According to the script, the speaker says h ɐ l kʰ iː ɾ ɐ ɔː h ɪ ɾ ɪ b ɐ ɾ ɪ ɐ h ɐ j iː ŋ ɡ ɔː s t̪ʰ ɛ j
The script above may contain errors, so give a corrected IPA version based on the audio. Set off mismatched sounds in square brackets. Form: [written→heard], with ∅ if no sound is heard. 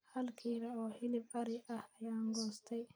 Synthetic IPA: h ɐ l kʰ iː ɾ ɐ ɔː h ɪ [ɾ→l] ɪ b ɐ ɾ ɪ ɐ h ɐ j [iː→aː] ŋ ɡ ɔː s t̪ʰ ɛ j